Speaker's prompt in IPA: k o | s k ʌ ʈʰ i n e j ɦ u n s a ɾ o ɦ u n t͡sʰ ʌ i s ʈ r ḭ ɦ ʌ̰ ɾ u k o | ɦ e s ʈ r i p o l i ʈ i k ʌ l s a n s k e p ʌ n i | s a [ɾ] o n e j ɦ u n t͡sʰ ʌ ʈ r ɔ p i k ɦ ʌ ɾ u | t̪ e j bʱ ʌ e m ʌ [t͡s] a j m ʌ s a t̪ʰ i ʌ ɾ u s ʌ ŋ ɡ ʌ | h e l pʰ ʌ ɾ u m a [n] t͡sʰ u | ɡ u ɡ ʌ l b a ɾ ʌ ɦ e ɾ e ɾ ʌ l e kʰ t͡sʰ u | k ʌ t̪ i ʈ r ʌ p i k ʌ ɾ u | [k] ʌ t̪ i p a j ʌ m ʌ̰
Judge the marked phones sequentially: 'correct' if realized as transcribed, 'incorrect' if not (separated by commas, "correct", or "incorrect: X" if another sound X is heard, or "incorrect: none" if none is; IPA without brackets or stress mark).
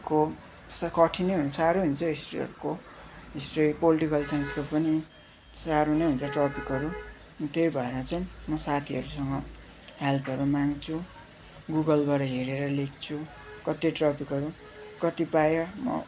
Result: correct, correct, incorrect: ŋ, correct